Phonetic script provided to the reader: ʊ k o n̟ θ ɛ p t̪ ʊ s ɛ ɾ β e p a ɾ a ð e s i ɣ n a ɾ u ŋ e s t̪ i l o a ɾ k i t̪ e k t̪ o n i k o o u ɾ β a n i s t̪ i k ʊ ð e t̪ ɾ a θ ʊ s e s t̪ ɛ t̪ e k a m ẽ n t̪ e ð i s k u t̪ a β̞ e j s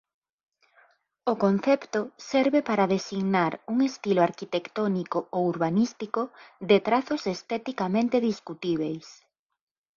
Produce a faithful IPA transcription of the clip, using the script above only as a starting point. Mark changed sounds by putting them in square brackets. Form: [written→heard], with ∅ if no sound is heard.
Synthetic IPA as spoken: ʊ k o n̟ θ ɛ p t̪ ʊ s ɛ ɾ β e p a ɾ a ð e s i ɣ n a ɾ u ŋ e s t̪ i l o a ɾ k i t̪ e k t̪ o n i k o o u ɾ β a n i s t̪ i k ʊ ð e t̪ ɾ a θ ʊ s e s t̪ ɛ t̪ [e→i] k a m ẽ n t̪ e ð i s k u t̪ [a→i] β̞ e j s